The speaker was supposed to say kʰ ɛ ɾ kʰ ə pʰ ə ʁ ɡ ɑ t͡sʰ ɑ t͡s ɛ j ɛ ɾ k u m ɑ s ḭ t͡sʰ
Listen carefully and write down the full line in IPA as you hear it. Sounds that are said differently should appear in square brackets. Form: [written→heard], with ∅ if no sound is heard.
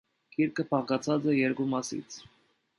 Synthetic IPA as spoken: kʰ [ɛ→i] ɾ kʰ ə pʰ [ə→ɑ] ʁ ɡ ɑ t͡sʰ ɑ t͡s ɛ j ɛ ɾ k u m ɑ s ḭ t͡sʰ